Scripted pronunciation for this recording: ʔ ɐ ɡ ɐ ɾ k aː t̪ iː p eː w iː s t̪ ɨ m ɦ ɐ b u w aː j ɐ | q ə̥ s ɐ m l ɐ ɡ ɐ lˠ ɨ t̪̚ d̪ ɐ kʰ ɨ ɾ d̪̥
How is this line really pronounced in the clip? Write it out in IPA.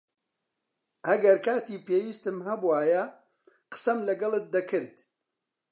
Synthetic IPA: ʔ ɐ ɡ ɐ ɾ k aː t̪ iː p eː w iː s t̪ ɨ m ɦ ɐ b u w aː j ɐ | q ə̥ s ɐ m l ɐ ɡ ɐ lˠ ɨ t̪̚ d̪ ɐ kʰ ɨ ɾ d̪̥